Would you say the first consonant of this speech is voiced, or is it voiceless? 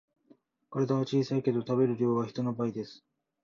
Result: voiceless